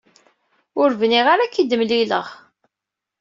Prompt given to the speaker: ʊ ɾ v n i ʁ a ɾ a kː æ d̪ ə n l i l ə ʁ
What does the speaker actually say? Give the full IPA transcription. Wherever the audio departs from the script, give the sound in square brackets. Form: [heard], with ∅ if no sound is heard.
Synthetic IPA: ʊ ɾ v n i ʁ a ɾ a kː [i] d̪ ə [m] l i l ə ʁ